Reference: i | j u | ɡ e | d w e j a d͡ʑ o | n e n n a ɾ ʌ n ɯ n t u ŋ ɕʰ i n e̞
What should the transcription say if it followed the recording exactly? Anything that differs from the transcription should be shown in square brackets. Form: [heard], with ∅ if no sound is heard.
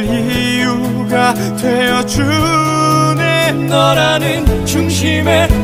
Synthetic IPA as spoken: i | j u | ɡ [a] | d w e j [ʌ] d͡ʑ [u] | n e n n [ʌ] ɾ [a] n ɯ n [t͡ɕ] u ŋ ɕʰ i [m] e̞